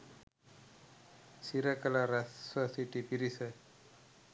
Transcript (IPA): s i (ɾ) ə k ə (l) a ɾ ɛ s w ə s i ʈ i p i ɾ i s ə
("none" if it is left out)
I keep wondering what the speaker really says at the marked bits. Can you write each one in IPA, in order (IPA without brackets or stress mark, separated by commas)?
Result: ɾ, l